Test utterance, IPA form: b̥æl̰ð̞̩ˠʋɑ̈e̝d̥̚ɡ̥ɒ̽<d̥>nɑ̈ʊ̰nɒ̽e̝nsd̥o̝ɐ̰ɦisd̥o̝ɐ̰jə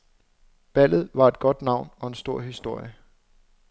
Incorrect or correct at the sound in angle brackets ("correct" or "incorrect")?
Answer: correct